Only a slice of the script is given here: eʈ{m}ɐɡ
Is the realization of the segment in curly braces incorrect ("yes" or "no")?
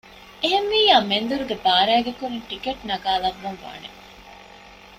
yes